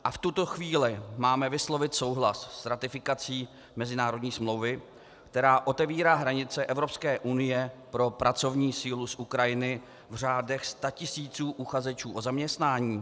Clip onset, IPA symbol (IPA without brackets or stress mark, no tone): ʔ